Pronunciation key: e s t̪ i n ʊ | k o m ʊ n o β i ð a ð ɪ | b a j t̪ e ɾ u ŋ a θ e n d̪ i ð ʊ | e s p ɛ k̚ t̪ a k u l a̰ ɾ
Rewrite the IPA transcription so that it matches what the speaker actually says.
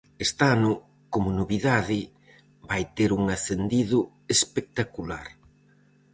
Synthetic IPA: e s t̪ a n ʊ | k o m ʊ n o β i ð a ð ɪ | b a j t̪ e ɾ u ŋ a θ e n d̪ i ð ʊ | e s p e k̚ t̪ a k u l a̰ ɾ